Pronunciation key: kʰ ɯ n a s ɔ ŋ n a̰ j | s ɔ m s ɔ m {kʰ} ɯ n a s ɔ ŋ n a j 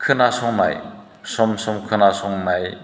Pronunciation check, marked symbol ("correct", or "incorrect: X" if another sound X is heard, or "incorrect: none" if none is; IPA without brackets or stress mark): correct